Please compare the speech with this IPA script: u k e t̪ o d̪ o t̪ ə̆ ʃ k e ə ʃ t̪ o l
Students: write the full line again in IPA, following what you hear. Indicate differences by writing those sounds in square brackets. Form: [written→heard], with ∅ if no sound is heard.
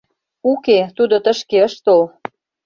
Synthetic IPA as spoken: u k e t̪ [o→u] d̪ o t̪ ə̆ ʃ k e ə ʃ t̪ o l